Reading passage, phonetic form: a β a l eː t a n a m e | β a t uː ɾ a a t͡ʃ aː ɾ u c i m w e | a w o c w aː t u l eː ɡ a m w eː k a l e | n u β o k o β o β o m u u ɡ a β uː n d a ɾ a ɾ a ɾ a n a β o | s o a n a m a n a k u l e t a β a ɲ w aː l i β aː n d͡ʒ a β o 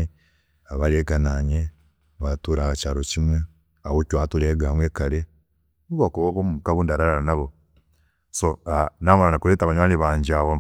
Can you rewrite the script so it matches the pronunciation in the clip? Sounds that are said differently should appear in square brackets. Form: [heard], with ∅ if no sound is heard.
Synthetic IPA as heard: a β a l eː [k] a n a [ɲ] e | β a t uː ɾ a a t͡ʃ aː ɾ [o] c i m w e | a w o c w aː t u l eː ɡ a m w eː k a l e | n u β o k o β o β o m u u [k] a β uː n d a ɾ a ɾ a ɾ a n a β o | s o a n a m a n a k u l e t a β a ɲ w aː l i β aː [ɲ] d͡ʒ a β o